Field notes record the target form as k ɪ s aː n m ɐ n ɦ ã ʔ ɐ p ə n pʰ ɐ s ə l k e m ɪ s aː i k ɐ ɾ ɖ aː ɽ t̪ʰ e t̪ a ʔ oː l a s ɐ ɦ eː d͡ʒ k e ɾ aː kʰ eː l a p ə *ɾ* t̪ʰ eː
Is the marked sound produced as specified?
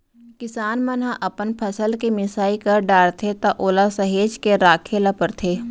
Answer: yes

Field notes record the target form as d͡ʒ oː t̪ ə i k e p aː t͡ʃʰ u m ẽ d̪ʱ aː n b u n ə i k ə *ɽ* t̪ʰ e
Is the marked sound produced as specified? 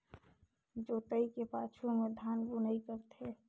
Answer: no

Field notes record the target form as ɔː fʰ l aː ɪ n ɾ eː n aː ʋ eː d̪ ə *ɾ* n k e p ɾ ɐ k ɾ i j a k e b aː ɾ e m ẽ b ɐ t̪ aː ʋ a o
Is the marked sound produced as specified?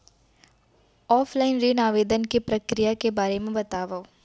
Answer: no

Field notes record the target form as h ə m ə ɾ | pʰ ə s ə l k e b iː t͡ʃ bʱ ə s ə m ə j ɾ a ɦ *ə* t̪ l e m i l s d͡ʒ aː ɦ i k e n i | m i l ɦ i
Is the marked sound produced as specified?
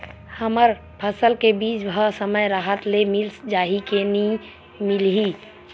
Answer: yes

